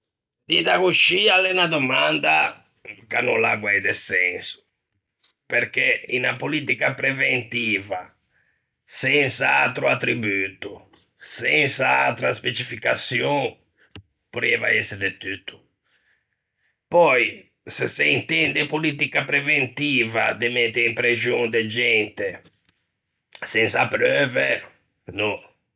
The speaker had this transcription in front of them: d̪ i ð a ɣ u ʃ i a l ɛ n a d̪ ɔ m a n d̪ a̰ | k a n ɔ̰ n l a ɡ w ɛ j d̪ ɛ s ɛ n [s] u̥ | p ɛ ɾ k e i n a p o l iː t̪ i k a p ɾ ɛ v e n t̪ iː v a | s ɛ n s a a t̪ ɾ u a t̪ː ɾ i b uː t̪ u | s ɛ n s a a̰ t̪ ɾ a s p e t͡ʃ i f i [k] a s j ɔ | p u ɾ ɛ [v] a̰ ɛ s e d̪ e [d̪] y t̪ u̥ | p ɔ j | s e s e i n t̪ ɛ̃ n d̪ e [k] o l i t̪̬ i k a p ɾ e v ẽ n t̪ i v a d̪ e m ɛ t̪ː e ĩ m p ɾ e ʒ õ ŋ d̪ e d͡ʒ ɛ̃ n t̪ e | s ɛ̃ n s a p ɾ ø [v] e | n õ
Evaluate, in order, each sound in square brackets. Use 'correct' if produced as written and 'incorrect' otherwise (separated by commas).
correct, correct, correct, incorrect, incorrect, correct